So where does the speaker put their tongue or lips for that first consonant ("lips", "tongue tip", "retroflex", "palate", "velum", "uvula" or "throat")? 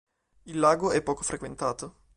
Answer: tongue tip